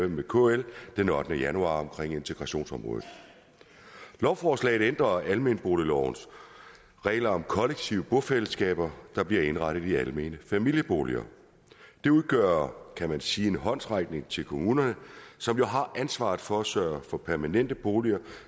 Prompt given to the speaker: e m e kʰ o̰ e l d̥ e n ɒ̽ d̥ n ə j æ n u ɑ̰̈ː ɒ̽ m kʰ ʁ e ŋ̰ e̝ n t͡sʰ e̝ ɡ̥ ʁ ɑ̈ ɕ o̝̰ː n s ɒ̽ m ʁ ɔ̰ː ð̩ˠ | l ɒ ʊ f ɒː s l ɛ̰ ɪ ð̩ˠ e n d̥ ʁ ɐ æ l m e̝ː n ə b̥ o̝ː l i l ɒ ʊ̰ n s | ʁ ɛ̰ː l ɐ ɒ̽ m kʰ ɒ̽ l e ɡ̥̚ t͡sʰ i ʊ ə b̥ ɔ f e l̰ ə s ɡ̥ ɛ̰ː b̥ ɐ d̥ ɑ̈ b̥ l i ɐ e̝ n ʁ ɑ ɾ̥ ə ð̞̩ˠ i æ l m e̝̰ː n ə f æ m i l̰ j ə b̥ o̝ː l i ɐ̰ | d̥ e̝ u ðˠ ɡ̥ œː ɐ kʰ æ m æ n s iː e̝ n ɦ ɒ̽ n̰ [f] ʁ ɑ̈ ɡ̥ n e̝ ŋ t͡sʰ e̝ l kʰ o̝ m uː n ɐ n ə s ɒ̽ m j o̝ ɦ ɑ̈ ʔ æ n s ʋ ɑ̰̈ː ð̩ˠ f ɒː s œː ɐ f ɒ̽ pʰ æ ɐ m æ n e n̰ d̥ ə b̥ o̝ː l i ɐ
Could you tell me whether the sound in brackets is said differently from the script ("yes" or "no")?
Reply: yes